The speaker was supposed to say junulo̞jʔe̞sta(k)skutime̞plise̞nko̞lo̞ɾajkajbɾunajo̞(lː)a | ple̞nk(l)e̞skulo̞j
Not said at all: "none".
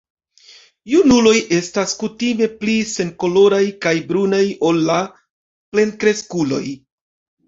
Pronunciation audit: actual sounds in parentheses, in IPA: none, lː, ɾ

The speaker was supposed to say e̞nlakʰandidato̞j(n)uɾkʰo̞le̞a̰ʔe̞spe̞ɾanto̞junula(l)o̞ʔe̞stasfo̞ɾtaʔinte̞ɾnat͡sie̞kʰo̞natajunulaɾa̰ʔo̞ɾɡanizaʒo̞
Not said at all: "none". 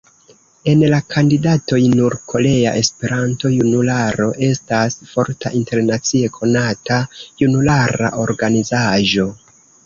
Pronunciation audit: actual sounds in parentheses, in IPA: n, ɾ

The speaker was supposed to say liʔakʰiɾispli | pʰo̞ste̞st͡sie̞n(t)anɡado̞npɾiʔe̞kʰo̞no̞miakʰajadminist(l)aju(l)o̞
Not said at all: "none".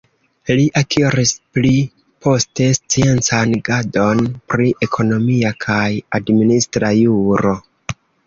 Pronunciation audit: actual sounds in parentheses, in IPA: t͡s, ɾ, ɾ

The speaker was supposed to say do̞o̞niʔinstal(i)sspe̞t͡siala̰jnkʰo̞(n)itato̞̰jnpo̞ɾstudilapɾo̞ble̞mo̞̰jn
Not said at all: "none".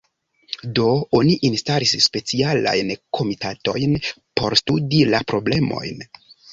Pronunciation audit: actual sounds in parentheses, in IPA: i, m

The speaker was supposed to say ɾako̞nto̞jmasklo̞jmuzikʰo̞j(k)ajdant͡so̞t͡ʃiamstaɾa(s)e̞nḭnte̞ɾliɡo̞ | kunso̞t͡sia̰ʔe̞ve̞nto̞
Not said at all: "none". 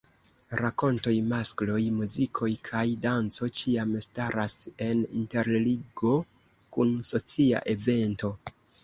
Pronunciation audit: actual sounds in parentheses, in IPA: kʰ, s

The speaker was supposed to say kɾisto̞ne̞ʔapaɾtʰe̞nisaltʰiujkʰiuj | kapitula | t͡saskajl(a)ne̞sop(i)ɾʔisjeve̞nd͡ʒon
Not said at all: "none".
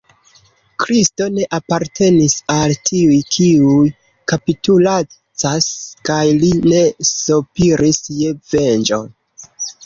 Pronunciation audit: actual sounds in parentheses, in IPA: i, i

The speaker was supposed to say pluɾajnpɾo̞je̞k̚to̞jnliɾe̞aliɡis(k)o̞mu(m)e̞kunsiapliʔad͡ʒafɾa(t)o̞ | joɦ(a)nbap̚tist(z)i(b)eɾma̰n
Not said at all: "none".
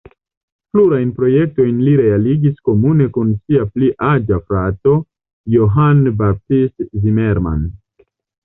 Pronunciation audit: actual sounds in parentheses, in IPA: k, n, t, a, z, m

